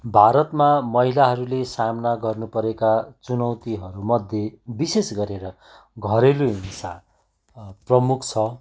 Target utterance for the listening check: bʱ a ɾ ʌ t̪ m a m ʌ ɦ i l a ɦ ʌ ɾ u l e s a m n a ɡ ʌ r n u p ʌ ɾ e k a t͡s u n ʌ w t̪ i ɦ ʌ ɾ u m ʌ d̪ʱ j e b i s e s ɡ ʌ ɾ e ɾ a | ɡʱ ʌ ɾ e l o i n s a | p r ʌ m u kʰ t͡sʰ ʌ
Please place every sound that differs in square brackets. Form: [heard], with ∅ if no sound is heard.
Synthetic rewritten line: bʱ a ɾ ʌ t̪ m a m ʌ ɦ i l a ɦ ʌ ɾ u l e s a m n a ɡ ʌ r n u p ʌ ɾ e k a t͡s u n ʌ w t̪ i ɦ ʌ ɾ u m ʌ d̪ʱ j e b i s e s ɡ ʌ ɾ e ɾ [ʌ] | ɡʱ ʌ ɾ e l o i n s a | p r ʌ m u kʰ t͡sʰ ʌ